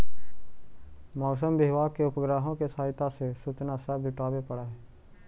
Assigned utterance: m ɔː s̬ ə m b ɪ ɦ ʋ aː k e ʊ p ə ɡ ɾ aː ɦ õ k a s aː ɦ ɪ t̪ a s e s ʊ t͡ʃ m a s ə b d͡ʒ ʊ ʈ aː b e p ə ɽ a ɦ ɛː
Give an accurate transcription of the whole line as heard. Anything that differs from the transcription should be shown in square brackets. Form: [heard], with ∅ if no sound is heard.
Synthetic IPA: m ɔː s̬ ə m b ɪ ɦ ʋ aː k e ʊ p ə ɡ ɾ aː ɦ õ k [e] s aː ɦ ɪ t̪ a s e s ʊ t͡ʃ [n] a s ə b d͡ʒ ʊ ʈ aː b e p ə ɽ a ɦ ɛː